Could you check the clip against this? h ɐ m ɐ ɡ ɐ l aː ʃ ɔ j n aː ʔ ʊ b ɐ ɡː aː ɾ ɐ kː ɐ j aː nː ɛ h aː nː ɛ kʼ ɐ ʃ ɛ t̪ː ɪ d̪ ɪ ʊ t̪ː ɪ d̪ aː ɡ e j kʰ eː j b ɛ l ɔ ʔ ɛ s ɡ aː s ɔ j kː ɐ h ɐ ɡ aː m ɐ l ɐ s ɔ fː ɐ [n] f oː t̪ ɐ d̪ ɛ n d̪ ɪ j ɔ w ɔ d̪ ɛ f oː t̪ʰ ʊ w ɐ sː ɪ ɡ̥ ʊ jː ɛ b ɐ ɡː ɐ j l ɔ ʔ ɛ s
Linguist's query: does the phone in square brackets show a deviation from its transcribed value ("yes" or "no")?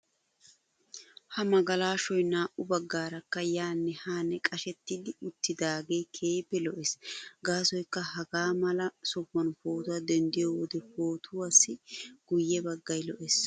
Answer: no